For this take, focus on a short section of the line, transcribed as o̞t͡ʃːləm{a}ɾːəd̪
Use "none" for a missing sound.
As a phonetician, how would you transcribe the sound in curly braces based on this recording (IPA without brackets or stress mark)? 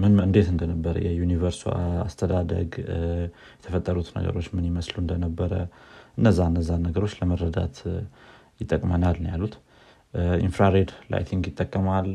ə